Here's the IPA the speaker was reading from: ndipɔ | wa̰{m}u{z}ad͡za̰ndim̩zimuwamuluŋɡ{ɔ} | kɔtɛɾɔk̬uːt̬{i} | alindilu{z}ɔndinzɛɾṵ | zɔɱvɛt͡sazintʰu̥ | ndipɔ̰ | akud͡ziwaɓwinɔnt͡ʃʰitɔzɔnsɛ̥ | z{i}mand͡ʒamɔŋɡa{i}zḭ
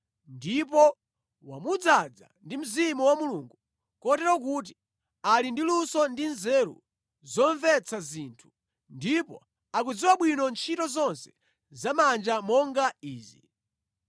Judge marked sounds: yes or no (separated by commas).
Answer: yes, no, no, yes, no, no, no